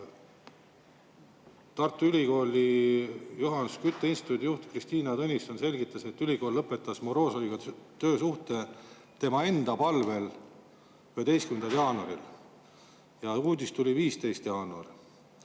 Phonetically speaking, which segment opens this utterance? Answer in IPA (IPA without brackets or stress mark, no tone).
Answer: t̪